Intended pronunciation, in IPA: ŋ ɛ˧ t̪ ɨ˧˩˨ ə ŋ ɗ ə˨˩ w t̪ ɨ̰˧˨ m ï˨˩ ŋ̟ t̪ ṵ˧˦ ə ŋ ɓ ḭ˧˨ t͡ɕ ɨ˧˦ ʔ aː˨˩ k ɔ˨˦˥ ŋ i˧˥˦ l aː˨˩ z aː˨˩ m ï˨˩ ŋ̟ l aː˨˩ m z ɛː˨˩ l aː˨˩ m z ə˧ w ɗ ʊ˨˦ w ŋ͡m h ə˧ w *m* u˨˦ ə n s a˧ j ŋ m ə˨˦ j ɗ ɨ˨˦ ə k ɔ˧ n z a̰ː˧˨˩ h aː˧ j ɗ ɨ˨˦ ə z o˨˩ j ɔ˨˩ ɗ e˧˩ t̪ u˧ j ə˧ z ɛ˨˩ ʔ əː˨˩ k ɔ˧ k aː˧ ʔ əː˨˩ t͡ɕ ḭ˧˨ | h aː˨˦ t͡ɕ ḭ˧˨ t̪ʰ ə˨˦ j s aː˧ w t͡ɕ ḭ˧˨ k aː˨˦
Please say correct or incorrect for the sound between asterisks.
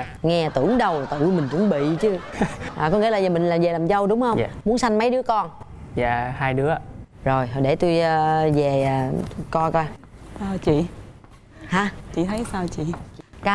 correct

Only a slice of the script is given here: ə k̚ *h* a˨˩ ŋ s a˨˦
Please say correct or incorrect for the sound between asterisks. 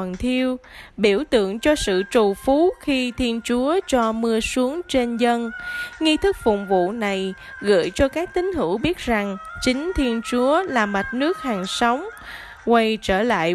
correct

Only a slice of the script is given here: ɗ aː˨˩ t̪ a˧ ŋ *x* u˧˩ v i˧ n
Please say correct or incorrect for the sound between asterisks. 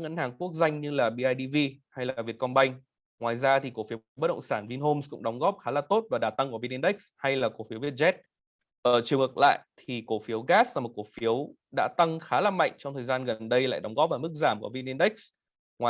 incorrect: k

